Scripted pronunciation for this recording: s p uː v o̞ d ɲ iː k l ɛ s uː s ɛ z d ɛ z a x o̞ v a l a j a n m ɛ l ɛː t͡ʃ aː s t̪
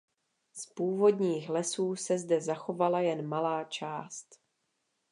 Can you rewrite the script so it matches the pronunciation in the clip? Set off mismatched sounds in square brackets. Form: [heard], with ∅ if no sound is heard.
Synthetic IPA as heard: s p uː v o̞ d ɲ iː [x] l ɛ s uː s ɛ z d ɛ z a x o̞ v a l a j [ɛ] n m [a] l [aː] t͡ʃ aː s t̪